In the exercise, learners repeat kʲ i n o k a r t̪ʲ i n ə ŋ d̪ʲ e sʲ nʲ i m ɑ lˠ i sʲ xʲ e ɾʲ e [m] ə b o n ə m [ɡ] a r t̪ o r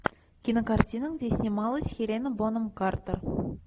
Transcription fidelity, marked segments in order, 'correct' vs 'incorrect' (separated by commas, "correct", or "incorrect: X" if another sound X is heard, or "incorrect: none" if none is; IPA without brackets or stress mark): incorrect: n, incorrect: k